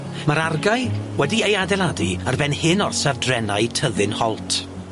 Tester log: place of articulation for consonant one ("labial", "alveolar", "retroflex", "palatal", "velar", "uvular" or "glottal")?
labial